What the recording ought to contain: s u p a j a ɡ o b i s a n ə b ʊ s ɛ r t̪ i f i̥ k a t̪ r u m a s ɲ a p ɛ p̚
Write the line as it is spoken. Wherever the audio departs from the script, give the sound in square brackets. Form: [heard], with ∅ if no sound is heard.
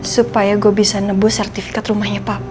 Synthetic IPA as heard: s u p a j a ɡ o b i s a n ə b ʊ s ɛ r t̪ i f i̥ k a t̪ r u m a [h] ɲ a p [a] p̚